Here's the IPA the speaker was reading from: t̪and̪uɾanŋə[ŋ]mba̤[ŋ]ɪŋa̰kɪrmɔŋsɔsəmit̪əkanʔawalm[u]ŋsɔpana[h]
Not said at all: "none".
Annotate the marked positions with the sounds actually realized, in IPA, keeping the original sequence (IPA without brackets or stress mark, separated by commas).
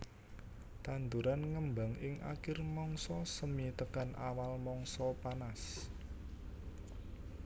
none, ŋ, ɔ, s